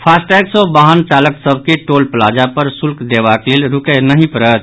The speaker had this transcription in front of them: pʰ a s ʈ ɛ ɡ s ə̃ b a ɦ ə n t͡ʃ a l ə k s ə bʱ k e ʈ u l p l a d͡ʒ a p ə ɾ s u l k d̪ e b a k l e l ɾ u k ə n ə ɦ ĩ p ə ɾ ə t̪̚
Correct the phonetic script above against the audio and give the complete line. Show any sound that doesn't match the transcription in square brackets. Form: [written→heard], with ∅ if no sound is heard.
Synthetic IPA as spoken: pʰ a s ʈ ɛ ɡ s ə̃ b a ɦ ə n t͡ʃ a l ə k s ə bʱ k e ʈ [u→o] l p l a d͡ʒ a p ə ɾ s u l k d̪ e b a k l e l ɾ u k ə n ə ɦ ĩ p ə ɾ ə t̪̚